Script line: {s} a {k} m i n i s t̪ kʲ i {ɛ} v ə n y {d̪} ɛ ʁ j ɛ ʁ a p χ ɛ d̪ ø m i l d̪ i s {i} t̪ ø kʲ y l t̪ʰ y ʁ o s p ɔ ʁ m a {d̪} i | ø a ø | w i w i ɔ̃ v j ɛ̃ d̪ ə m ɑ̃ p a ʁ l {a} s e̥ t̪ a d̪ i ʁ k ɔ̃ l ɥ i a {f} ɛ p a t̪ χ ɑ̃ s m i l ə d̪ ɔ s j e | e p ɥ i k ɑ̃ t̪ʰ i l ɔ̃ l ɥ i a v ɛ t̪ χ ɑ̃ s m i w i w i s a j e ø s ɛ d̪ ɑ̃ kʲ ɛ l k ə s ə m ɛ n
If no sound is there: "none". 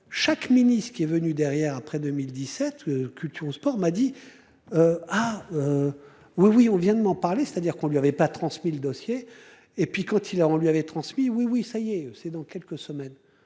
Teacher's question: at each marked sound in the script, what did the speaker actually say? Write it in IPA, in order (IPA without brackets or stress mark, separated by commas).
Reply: ʃ, k, ɛ, d̪, ɛ, d̪, e, v